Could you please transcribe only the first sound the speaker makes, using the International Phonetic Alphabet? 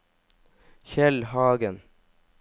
ç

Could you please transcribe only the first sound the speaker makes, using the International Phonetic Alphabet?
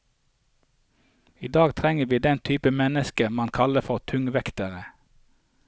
iː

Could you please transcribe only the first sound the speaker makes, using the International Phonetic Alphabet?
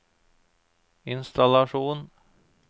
ɪ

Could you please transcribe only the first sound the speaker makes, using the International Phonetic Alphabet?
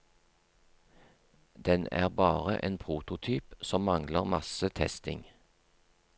d̪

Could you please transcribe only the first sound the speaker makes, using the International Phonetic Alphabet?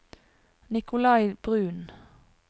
n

